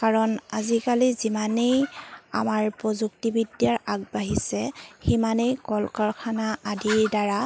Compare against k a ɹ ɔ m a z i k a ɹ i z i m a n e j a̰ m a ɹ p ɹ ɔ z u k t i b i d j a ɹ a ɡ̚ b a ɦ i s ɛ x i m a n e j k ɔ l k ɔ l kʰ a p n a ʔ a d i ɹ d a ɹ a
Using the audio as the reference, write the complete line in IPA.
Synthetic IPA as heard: k a ɹ ɔ n a z i k a l i z i m a n e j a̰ m a ɹ p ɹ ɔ z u k t i b i d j a ɹ a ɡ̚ b a ɦ i s ɛ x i m a n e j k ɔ l k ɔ ɹ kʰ a n a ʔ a d i ɹ d a ɹ a